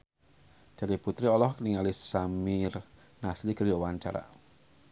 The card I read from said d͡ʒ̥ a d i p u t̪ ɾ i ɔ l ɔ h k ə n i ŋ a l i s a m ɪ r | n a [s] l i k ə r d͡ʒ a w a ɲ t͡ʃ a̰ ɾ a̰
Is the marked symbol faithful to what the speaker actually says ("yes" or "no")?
yes